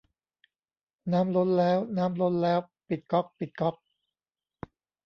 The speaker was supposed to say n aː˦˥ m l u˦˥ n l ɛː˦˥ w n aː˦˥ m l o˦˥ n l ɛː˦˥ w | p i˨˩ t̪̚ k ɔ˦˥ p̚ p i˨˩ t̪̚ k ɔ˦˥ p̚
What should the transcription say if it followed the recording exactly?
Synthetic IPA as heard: n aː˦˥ m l o˦˥ n l ɛː˦˥ w n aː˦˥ m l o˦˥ n l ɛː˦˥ w | p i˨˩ t̪̚ k ɔ˦˥ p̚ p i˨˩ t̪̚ k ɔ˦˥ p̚